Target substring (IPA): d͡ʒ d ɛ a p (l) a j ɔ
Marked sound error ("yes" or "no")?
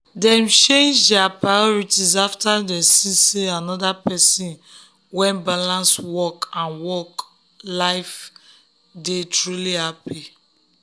yes